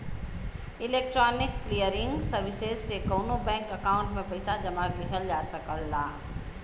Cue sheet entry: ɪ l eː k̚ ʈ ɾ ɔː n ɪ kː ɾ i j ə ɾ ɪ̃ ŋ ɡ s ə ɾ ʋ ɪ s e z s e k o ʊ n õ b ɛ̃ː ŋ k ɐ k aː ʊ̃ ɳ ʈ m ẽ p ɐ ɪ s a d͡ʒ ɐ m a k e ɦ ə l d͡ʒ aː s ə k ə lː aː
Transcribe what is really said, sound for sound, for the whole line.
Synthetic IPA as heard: ɪ l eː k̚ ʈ ɾ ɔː n ɪ kː l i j ə ɾ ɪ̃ ŋ ɡ s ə ɾ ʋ ɪ s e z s e k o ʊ n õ b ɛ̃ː ŋ k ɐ k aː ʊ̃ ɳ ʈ m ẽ p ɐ ɪ s a d͡ʒ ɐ m a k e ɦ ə l d͡ʒ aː s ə k ə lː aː